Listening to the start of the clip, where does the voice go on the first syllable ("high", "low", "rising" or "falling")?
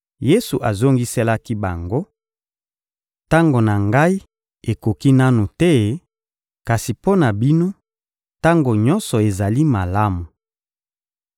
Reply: high